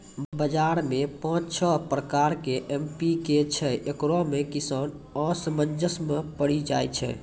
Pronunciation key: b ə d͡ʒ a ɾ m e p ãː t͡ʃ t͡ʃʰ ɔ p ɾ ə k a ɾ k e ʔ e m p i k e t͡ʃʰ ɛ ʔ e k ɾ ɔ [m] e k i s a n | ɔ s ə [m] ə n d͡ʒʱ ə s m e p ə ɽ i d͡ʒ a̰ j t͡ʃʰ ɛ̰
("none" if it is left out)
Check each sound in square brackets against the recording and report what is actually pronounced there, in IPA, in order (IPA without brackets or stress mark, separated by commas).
m, m